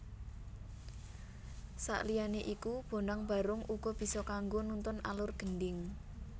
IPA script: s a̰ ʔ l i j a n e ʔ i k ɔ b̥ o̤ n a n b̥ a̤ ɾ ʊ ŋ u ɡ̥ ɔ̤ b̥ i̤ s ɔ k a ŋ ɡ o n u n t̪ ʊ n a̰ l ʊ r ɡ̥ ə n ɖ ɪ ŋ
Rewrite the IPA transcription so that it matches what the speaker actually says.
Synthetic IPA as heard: s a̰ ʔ l i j a n e ʔ i k u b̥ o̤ n a ŋ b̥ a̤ ɾ ʊ ŋ u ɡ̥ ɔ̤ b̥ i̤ s ɔ k a ŋ ɡ o n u n t̪ ʊ n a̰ l ʊ r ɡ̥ ə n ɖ ɪ ŋ

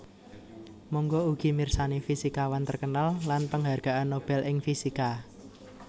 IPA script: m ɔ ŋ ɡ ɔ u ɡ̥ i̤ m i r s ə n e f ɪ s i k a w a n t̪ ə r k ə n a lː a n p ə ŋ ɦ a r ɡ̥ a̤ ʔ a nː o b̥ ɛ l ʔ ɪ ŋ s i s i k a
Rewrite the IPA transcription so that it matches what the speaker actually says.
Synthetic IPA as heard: m ɔ ŋ ɡ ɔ u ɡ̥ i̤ m i r s a n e f i s i k a w a n t̪ ə r k ə n a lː a n p ə ŋ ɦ a r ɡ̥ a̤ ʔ a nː o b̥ ɛ l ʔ ɪ ŋ f i s i k a

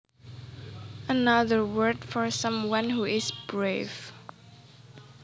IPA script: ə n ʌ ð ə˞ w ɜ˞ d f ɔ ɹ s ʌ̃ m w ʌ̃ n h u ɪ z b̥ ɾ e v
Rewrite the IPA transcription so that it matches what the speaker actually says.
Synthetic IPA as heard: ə n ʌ ð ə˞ w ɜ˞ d f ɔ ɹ s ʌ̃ m w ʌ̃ n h u ɪ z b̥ ɹ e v

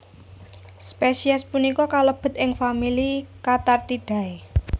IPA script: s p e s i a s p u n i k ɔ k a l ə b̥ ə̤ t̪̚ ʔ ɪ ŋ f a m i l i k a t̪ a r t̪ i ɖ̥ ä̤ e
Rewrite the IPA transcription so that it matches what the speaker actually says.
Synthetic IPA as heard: s p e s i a s p u n i k ɔ k a l ə b̥ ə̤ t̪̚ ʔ ɪ ŋ f a m i l i k a t̪ a r t̪ i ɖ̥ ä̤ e

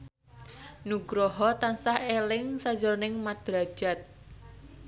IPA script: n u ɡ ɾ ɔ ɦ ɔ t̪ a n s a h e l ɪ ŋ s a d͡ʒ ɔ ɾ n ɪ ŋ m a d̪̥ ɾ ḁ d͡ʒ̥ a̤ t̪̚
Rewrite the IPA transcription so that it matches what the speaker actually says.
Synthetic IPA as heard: n u ɡ ɾ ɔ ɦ ɔ t̪ a n s a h e l ɪ ŋ s a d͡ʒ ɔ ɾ n ɪ ŋ m a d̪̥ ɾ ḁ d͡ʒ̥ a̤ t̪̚

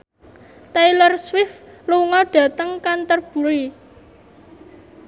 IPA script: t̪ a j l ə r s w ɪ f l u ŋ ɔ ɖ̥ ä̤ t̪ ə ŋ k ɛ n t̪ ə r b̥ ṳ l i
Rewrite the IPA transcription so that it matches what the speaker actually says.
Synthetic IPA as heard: t̪ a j l ə r s w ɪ f l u ŋ ɔ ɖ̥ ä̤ t̪ ə ŋ k a n t̪ ə r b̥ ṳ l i

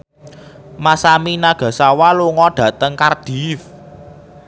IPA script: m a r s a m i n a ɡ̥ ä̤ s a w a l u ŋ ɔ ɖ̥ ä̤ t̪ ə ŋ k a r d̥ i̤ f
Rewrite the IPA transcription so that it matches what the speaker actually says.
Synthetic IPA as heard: m a s a m i n a ɡ̥ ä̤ s a w a l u ŋ ɔ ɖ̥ ä̤ t̪ ə ŋ k a r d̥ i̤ f

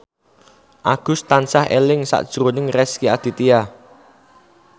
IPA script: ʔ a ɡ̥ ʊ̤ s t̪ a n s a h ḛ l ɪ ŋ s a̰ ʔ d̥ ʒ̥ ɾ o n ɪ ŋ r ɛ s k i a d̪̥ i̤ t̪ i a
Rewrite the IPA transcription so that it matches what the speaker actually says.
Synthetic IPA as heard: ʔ a ɡ̥ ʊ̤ s t̪ a n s a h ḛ l ɪ ŋ s a̰ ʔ d̥ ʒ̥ ɾ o n ɪ ŋ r ɛ s k i a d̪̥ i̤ t̪ i a

